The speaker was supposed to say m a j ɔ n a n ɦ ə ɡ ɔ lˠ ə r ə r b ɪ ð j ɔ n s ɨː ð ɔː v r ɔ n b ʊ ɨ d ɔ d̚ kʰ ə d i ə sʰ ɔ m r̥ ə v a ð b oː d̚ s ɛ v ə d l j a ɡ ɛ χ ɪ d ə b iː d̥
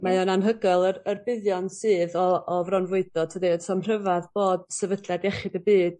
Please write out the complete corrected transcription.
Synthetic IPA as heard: m a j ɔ n a n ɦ ə ɡ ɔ lˠ ə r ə r b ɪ ð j ɔ n s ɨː ð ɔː v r ɔ n v ʊ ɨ d ɔ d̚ tʰ ə d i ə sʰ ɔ m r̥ ə v a ð b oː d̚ s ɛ v ə d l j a d ɛ χ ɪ d ə b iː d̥

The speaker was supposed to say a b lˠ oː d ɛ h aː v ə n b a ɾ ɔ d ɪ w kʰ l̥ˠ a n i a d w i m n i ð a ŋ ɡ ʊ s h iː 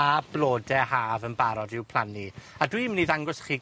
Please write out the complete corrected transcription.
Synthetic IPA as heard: a b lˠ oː d ɛ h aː v ə n b a ɾ ɔ d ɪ w pʰ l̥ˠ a n i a d w i m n i ð a ŋ ɡ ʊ s χ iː

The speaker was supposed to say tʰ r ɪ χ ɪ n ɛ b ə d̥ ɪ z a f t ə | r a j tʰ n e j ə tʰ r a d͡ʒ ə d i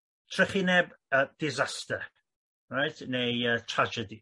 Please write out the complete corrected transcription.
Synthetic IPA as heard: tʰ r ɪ χ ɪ n ɛ b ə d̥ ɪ z a s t ə | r a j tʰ n e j ə tʰ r a d͡ʒ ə d i

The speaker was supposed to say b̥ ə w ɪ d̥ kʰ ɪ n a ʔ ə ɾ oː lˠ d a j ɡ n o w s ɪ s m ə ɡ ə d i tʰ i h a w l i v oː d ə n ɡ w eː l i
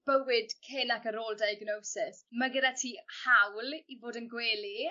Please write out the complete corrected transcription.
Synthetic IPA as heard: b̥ ə w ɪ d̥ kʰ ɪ n a k ə ɾ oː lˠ d a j ɡ n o w s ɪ s m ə ɡ ə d a tʰ i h a w l i v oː d ə n ɡ w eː l i

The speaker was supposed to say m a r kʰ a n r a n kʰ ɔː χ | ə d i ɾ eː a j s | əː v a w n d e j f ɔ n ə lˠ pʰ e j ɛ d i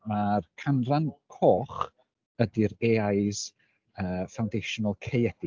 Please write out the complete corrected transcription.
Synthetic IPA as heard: m a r kʰ a n r a n kʰ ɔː χ | ə d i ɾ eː a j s | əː f a w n d e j ʃ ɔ n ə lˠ kʰ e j ɛ d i

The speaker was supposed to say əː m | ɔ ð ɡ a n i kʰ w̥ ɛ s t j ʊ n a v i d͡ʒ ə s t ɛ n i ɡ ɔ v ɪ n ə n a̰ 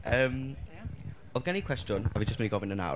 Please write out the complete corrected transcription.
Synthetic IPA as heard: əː m | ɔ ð ɡ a n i kʰ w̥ ɛ s t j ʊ n a v i d͡ʒ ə s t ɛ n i ɡ ɔ v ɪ n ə n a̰

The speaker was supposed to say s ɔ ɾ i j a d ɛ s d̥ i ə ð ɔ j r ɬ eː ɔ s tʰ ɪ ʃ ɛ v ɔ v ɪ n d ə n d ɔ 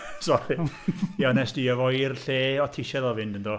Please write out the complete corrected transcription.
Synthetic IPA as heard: s ɔ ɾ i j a n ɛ s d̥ i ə v ɔ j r ɬ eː ɔ tʰ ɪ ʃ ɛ ð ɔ v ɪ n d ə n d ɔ

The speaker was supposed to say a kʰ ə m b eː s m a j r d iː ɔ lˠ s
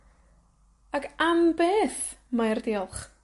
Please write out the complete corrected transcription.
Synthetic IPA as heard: a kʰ a m b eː θ m a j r d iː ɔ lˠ χ

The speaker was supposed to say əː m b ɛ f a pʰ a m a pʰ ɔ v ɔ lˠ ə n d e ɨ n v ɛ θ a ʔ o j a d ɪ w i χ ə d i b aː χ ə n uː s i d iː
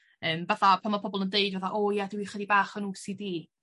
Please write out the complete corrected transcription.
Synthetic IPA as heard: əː m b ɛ θ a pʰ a m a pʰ ɔ b ɔ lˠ ə n d e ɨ d v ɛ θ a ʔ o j a d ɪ w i χ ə d i b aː χ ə n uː s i d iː

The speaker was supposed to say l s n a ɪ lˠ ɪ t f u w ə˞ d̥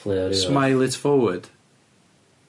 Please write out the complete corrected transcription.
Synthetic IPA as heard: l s m a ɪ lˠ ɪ t f ɔ w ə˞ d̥

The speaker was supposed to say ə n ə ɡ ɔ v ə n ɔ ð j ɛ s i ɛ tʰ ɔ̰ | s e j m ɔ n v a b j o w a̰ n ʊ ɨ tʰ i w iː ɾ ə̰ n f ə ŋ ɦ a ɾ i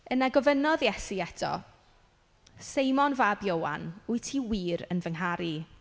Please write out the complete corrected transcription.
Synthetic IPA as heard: ə n a ɡ ɔ v ə n ɔ ð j ɛ s i ɛ tʰ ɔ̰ | s e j m ɔ n v a b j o w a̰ n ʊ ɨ tʰ i w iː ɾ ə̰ n v ə ŋ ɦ a ɾ i

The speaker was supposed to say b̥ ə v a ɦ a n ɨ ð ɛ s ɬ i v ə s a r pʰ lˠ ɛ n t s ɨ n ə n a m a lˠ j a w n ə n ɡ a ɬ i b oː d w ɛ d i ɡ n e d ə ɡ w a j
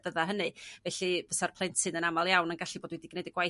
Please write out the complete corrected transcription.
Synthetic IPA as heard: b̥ ə ð a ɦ ə n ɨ v ɛ ɬ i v ə s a r pʰ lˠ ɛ n t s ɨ n ə n a m a lˠ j a w n ə n ɡ a ɬ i b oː d w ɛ d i ɡ n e d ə ɡ w a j

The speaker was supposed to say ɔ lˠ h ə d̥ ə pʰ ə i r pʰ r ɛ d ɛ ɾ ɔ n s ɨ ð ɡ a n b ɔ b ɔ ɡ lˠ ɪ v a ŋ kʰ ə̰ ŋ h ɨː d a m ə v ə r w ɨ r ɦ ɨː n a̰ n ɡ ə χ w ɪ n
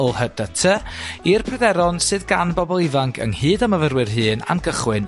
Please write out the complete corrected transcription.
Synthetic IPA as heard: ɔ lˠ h ə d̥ ə tʰ ə i r pʰ r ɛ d ɛ ɾ ɔ n s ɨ ð ɡ a n b ɔ b ɔ lˠ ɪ v a ŋ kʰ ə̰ ŋ h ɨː d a m ə v ə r w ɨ r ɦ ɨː n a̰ n ɡ ə χ w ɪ n

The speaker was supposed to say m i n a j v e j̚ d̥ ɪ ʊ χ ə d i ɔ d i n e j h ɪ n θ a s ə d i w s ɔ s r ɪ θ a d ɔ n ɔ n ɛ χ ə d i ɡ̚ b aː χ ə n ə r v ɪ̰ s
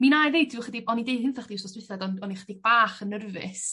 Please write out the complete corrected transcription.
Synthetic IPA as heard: m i n a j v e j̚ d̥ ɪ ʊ χ ə d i ɔ n i d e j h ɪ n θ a χ ə d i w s ɔ s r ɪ θ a d ɔ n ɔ n i χ ə d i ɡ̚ b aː χ ə n ə r v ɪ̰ s

